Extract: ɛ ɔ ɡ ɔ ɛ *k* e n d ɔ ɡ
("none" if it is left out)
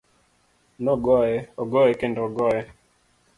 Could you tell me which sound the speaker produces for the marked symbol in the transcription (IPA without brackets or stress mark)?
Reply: k